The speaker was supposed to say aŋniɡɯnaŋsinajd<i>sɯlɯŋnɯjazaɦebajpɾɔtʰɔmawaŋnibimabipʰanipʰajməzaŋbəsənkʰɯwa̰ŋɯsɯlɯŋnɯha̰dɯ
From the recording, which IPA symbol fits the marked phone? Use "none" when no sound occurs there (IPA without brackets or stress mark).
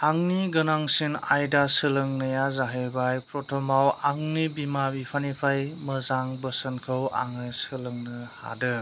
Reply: a